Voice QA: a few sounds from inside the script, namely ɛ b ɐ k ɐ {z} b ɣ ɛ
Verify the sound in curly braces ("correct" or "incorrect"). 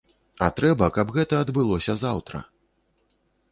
incorrect